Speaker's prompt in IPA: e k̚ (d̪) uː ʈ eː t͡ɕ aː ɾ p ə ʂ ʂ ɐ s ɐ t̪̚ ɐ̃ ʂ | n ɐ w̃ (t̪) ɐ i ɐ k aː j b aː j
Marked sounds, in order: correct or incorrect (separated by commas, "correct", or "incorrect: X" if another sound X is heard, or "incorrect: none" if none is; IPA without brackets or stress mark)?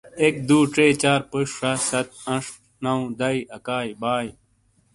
correct, incorrect: d̪